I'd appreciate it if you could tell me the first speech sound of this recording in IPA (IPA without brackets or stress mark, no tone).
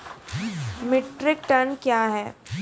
m